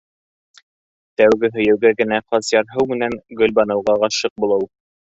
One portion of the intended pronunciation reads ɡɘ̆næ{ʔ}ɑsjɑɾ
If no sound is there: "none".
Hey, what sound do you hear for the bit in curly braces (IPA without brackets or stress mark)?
q